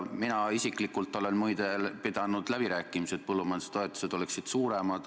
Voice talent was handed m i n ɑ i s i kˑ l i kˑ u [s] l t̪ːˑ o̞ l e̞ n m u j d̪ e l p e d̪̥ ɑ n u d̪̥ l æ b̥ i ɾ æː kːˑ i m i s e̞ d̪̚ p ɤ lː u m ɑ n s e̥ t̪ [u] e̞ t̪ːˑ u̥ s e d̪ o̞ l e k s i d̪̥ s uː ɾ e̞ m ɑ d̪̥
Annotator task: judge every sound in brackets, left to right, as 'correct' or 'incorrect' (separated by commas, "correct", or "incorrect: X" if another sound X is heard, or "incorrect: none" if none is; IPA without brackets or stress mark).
incorrect: none, incorrect: o